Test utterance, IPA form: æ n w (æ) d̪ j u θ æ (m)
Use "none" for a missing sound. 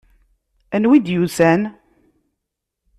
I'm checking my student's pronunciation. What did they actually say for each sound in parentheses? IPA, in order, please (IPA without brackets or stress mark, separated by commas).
i, n